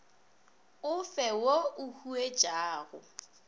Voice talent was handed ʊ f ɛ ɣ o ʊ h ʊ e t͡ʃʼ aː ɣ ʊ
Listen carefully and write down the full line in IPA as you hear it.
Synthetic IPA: ʊ f ɛ w o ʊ h u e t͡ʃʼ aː ɣ ʊ